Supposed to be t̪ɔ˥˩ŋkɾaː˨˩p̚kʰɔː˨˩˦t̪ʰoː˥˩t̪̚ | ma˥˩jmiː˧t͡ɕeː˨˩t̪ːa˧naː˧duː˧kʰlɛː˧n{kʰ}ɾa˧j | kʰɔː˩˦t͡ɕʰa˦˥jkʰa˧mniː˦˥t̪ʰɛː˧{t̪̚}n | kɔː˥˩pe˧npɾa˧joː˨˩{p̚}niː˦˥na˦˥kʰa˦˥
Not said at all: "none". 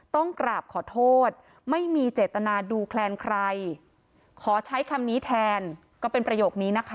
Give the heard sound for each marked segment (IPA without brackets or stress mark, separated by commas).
kʰ, none, k̚